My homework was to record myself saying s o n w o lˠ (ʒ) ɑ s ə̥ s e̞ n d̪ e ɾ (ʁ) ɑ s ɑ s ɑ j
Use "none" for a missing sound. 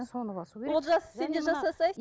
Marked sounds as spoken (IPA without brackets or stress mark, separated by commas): ʒ, ʒ